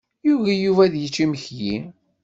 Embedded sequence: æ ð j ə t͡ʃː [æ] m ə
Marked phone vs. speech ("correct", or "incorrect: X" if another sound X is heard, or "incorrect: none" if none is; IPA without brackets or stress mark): incorrect: i